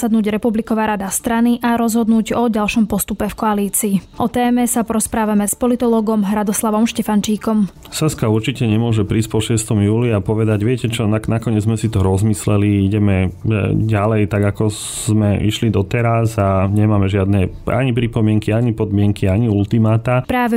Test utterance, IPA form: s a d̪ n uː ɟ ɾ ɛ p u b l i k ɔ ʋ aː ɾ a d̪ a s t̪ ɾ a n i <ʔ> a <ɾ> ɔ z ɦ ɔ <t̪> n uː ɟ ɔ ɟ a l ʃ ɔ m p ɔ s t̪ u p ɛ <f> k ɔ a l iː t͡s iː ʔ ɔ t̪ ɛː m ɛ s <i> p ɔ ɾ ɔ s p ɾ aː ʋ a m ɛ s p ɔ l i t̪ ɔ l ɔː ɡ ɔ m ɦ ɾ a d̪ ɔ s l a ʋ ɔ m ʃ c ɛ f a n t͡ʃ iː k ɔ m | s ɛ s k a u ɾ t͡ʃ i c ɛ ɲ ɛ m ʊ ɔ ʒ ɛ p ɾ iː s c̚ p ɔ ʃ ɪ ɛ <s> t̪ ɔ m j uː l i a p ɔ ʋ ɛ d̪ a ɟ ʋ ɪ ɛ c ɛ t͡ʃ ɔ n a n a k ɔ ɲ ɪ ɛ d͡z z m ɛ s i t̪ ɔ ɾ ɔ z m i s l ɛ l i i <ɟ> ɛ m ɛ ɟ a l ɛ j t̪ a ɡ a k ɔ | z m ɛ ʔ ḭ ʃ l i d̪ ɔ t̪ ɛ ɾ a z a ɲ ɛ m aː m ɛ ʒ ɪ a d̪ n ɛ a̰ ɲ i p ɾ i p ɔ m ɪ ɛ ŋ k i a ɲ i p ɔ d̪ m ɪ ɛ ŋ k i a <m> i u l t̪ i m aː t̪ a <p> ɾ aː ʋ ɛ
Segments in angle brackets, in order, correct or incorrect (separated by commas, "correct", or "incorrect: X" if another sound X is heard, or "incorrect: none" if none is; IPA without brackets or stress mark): correct, correct, incorrect: d̪, correct, incorrect: a, correct, correct, incorrect: ɲ, correct